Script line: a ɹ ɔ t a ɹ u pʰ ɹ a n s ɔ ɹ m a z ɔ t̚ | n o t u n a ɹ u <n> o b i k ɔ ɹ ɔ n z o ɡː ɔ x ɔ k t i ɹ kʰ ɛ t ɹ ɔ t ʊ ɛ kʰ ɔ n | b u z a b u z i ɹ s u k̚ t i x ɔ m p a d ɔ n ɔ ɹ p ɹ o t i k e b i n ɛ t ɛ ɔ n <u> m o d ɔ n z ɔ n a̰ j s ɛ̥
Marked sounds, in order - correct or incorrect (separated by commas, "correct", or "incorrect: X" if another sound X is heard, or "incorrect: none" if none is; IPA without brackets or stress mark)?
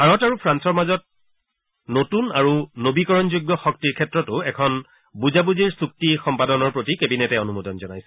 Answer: correct, correct